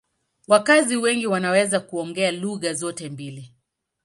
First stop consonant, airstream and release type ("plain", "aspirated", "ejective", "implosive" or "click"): plain